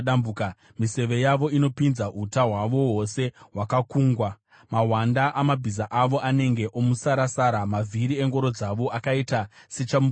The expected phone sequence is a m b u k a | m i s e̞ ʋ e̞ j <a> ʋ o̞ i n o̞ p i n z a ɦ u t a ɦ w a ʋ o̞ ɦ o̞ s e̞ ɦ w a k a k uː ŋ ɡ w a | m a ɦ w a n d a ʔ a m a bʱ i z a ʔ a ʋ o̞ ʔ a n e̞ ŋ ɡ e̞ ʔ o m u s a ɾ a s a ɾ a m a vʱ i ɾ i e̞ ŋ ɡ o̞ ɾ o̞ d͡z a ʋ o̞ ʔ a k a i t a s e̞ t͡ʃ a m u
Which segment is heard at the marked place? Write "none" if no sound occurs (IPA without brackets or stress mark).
a